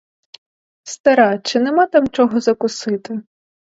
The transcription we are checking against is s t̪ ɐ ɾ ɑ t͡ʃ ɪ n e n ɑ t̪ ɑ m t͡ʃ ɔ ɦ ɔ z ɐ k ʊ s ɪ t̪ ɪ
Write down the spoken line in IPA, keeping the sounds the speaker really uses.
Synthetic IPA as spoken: s t̪ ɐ ɾ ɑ t͡ʃ ɪ n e m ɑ t̪ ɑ m t͡ʃ ɔ ɦ ɔ z ɐ k ʊ s ɪ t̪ ɪ